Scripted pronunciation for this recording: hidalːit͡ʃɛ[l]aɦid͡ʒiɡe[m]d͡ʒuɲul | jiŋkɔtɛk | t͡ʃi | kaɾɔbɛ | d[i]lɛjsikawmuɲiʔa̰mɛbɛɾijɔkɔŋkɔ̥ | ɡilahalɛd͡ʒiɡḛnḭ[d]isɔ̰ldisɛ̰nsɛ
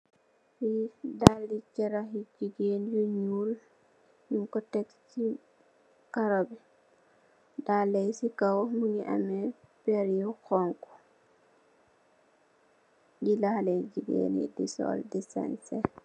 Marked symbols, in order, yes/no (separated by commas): no, no, no, yes